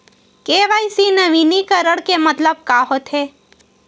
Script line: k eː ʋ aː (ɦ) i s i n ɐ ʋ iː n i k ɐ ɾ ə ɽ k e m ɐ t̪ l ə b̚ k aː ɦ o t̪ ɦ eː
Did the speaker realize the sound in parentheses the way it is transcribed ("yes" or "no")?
no